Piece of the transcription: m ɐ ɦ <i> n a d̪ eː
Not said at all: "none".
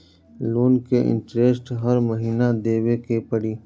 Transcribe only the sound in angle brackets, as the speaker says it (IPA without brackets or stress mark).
iː